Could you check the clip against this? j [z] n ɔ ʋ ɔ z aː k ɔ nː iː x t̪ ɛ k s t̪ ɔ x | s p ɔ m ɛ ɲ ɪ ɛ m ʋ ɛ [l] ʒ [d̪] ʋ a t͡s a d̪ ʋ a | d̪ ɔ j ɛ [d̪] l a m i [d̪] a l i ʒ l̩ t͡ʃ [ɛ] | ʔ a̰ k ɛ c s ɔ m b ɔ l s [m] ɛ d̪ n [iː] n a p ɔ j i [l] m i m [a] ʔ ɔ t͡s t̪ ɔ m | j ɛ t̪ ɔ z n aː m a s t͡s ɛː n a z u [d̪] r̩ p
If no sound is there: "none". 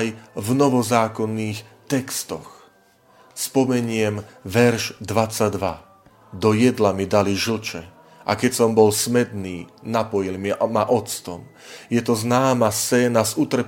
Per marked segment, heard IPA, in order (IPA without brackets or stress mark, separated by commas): v, ɾ, d̪, d̪, d̪, ɛ, m, iː, l, a, t̪